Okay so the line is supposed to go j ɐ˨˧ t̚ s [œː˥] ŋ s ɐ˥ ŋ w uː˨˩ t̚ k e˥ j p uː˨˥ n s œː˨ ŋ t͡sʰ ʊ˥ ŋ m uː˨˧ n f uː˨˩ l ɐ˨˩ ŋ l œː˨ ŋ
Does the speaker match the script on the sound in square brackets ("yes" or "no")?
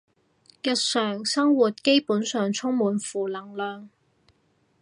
no